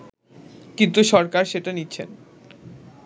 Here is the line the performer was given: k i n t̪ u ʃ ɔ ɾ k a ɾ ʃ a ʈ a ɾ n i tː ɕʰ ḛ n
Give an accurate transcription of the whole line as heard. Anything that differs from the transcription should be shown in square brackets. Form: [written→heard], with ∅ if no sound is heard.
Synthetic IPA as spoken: k i n t̪ u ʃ ɔ ɾ k a ɾ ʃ [a→e] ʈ a [ɾ→∅] n i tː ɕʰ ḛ n